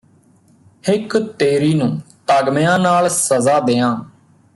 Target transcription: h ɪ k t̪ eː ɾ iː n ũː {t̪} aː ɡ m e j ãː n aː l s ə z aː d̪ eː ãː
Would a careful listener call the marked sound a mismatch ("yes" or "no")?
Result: no